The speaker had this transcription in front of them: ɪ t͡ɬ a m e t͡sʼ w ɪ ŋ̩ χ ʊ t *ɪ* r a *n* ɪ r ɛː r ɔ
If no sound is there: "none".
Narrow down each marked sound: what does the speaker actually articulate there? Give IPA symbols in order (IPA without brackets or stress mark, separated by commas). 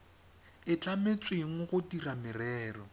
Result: i, m